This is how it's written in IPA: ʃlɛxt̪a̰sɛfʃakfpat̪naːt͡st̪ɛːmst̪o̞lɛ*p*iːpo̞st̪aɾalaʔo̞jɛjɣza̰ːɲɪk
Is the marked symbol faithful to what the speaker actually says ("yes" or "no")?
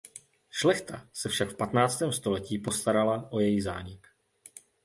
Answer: no